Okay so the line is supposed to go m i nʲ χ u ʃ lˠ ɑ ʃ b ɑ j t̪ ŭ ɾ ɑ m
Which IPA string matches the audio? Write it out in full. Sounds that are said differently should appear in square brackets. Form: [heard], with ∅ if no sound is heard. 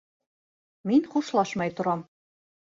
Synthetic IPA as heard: m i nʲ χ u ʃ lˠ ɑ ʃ [m] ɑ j t̪ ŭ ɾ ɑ m